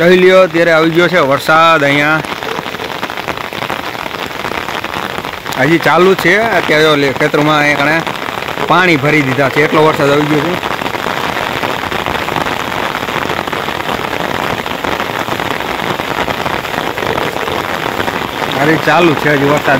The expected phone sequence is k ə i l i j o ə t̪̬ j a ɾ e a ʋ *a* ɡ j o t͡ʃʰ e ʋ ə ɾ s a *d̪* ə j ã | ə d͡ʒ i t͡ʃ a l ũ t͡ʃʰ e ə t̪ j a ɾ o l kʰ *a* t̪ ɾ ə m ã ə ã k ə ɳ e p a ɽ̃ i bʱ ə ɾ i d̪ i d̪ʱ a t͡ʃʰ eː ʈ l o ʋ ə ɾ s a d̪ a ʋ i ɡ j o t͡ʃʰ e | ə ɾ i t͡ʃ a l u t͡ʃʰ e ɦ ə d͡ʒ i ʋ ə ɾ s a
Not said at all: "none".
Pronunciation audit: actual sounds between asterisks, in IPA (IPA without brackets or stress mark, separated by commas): i, d̪, e